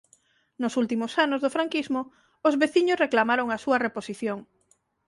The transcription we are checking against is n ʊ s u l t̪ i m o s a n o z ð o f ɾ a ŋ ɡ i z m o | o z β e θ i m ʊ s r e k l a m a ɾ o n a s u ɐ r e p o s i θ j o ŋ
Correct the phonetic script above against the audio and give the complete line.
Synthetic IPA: n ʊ s u l t̪ i m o s a n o z ð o f ɾ a ŋ k i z m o | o z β e θ i ɲ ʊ s r e k l a m a ɾ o ŋ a s u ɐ r e p o s i θ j o ŋ